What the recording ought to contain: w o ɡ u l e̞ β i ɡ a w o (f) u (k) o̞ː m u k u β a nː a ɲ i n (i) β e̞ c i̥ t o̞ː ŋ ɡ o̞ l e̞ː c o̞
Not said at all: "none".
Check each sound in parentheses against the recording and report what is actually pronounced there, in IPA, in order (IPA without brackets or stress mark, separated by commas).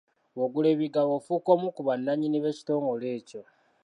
f, k, i